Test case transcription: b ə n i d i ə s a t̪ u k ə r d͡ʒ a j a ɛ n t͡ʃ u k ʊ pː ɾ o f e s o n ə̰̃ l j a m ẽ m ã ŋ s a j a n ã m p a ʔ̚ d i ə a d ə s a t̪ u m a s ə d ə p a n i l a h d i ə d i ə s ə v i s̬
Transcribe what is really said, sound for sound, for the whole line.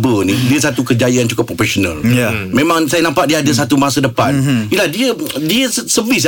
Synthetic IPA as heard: b ə n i d i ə s a t̪ u k ə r d͡ʒ a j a a n t͡ʃ u k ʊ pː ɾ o f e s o n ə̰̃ l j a m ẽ m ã ŋ s a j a n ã m p a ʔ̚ d i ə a d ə s a t̪ u m a s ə d ə p a n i l a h d i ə d i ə s ə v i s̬